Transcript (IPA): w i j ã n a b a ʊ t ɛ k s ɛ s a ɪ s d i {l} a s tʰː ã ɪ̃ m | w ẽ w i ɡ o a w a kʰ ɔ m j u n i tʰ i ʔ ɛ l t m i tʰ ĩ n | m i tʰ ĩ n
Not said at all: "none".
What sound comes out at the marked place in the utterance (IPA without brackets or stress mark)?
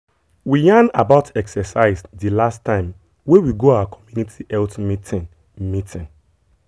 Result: l